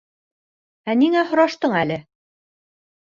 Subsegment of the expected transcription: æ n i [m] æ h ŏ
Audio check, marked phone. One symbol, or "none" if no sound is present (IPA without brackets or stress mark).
ŋ